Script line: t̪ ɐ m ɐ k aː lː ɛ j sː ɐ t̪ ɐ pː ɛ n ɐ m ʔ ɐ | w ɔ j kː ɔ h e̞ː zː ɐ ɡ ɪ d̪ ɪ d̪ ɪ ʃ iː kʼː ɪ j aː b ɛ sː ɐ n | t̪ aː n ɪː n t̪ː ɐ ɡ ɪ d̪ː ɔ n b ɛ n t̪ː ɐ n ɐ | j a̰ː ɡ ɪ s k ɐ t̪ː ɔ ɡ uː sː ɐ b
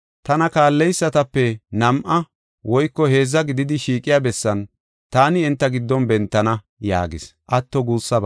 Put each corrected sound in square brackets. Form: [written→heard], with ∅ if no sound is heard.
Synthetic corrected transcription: t̪ ɐ [m→n] ɐ k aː lː ɛ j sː ɐ t̪ ɐ pː ɛ n ɐ m ʔ ɐ | w ɔ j kː ɔ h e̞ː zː ɐ ɡ ɪ d̪ ɪ d̪ ɪ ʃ iː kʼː ɪ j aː b ɛ sː ɐ n | t̪ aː n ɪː n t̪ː ɐ ɡ ɪ d̪ː ɔ n b ɛ n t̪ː ɐ n ɐ | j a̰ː ɡ ɪ s [k→ʔ] ɐ t̪ː ɔ ɡ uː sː ɐ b